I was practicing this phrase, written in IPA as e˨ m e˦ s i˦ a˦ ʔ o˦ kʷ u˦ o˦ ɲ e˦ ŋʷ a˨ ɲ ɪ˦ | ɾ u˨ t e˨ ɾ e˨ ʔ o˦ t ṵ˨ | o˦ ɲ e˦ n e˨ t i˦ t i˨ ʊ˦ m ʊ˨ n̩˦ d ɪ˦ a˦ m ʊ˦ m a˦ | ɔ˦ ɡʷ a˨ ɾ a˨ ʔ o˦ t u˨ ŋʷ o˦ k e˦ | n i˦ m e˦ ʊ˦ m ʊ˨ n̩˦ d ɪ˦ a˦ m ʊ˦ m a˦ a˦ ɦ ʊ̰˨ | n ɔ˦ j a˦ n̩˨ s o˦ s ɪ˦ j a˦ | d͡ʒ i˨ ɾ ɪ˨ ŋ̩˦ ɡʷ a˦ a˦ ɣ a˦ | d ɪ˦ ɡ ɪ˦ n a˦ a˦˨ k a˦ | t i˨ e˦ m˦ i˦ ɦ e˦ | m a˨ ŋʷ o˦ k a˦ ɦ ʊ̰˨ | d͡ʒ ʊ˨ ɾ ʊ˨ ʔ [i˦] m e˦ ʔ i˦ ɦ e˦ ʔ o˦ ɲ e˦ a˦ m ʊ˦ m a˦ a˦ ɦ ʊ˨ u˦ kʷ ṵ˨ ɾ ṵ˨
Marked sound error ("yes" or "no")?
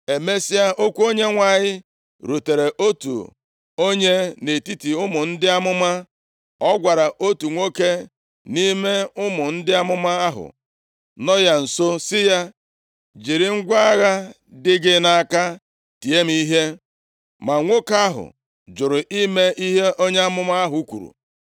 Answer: no